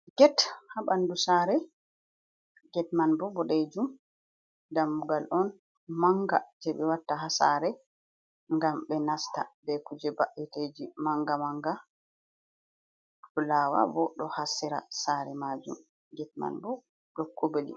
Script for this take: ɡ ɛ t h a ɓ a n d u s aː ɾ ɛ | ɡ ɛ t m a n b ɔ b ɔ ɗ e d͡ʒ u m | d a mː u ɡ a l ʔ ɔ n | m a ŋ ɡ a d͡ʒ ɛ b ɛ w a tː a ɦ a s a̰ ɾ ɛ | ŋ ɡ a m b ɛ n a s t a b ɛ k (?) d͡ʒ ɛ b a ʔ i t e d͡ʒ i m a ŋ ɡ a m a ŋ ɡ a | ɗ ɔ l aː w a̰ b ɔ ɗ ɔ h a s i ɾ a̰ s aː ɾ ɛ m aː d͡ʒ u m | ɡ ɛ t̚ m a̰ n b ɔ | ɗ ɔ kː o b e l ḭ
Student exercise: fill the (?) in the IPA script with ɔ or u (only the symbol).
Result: u